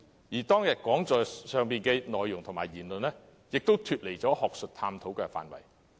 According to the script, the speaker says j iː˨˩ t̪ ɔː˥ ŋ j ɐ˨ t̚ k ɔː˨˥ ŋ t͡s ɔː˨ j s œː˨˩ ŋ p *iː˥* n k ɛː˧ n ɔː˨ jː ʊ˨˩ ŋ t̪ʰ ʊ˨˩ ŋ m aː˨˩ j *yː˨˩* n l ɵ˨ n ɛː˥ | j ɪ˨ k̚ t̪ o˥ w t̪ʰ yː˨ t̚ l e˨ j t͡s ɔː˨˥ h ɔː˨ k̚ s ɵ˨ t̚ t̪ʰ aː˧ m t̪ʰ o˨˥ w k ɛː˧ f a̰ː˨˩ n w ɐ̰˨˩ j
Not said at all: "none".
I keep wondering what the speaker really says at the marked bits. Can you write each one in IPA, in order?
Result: iː˨, iː˨˩

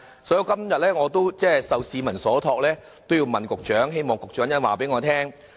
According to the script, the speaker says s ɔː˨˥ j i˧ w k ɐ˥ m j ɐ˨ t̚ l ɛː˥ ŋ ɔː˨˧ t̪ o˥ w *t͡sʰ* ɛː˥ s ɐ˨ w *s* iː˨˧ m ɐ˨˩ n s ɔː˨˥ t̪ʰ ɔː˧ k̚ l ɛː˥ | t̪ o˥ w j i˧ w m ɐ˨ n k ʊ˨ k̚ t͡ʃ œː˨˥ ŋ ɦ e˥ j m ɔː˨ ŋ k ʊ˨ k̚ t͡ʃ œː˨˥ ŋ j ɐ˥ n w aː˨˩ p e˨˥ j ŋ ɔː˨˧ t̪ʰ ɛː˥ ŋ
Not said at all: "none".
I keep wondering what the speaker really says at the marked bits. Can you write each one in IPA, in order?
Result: t͡s, s

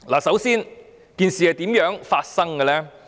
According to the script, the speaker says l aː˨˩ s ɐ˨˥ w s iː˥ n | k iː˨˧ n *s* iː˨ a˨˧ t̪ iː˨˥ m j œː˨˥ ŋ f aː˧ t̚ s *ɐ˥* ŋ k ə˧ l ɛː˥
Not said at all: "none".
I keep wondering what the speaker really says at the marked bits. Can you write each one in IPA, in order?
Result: s, ɐ˥

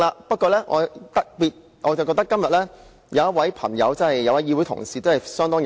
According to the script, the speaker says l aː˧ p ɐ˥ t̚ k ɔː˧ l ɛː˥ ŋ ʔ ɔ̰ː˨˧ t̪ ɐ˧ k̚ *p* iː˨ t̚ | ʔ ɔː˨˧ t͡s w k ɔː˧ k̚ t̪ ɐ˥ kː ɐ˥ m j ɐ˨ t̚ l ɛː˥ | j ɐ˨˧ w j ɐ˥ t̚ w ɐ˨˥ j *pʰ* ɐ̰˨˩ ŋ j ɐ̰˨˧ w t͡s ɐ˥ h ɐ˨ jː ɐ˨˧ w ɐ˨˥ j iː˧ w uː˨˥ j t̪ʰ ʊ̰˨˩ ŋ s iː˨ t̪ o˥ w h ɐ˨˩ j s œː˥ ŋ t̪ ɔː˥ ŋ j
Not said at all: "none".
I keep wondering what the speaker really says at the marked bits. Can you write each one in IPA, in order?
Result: p, pʰ

